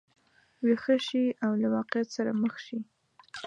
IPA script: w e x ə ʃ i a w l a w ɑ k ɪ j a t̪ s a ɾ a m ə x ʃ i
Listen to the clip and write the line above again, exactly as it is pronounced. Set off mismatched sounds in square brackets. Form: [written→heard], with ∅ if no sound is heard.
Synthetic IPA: w e x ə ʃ i a w l a w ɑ [k→q] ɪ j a t̪ s a ɾ a m ə x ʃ i